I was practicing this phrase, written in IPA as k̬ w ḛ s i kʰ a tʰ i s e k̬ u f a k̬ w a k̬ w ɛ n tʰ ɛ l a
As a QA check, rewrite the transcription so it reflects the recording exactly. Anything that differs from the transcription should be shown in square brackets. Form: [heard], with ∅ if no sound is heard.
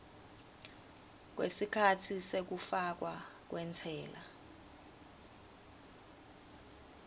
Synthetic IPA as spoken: k̬ w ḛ s i kʰ a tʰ i s e k̬ u f a k̬ w a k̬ w ɛ n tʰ [ɛː] l a